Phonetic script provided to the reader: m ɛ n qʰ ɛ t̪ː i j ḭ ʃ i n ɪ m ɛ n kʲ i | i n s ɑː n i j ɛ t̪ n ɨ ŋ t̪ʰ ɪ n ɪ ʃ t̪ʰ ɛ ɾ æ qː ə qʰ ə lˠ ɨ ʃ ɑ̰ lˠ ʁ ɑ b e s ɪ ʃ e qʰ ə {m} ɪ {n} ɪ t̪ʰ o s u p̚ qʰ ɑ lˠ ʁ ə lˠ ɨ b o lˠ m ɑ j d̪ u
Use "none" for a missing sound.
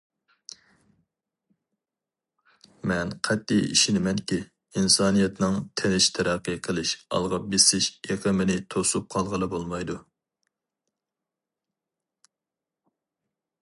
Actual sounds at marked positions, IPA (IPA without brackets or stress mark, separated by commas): m, n